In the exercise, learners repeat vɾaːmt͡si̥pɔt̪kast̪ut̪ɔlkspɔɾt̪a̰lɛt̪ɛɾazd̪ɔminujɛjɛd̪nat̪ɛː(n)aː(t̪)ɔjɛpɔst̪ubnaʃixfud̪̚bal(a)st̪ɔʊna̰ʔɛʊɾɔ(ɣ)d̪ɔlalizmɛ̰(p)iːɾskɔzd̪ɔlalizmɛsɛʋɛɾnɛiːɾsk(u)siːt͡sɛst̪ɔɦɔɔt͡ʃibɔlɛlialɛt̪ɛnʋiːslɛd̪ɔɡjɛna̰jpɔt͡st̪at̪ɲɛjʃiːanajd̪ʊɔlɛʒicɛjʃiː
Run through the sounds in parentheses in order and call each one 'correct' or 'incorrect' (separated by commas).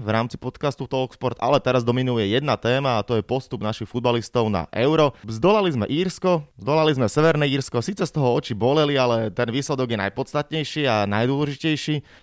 incorrect, correct, incorrect, incorrect, incorrect, incorrect